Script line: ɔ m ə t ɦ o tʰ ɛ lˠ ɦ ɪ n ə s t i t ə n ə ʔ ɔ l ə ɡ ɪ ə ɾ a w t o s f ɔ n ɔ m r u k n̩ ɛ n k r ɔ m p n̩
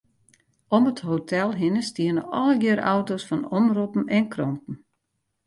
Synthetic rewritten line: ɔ m ə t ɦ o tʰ ɛ lˠ ɦ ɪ n ə s t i ə n ə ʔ ɔ l ə ɡ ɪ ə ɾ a w t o s f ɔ n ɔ m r u p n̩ ɛ n k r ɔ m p n̩